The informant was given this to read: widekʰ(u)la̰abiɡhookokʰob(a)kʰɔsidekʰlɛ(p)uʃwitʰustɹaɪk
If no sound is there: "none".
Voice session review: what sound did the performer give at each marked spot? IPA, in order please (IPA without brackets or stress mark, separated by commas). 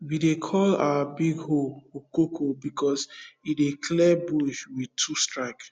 ɔ, i, b